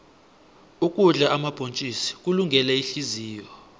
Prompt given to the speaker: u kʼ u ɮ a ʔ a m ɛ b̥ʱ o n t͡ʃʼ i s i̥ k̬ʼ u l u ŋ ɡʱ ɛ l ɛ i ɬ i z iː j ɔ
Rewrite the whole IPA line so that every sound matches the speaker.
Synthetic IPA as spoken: u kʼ u ɮ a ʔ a m a b̥ʱ o n t͡ʃʼ i s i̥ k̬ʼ u l u ŋ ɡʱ ɛ l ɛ i ɬ i z iː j ɔ